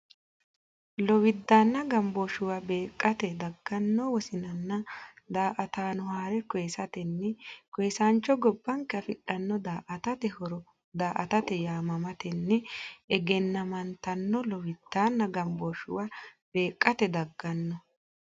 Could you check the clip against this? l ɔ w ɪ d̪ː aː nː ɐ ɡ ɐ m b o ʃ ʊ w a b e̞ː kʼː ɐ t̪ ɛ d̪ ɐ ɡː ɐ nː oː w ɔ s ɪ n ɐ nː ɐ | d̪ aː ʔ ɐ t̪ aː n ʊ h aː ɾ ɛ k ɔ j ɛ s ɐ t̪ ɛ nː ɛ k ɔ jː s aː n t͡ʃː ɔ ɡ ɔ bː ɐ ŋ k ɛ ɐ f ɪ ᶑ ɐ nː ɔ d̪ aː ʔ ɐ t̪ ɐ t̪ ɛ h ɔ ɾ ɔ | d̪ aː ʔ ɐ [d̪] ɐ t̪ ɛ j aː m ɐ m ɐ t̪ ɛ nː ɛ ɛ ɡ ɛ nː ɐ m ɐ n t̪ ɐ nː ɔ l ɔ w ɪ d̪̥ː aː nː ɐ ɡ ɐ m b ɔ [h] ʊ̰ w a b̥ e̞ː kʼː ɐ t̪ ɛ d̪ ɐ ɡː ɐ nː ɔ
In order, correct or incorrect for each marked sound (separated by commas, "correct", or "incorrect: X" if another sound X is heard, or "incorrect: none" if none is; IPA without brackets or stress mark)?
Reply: incorrect: t̪, incorrect: ʃ